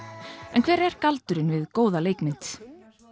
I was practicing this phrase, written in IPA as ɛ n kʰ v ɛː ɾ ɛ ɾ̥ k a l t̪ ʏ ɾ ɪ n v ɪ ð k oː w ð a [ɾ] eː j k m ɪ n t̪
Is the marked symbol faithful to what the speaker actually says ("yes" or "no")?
no